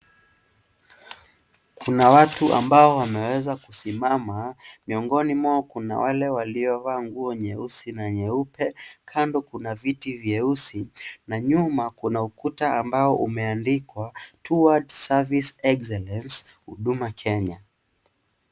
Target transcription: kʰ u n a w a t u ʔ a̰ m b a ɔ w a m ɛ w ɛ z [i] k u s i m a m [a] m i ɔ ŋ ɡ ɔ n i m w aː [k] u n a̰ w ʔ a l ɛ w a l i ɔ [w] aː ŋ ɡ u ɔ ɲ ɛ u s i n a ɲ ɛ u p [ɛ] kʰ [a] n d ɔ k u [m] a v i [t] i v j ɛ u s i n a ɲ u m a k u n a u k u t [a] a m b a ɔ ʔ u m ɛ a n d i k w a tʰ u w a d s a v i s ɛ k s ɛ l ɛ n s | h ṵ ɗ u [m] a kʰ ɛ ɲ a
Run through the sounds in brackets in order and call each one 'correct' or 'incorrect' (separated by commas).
incorrect, correct, correct, incorrect, correct, correct, incorrect, correct, correct, correct